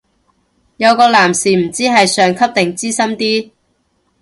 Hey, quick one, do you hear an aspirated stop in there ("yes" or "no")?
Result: yes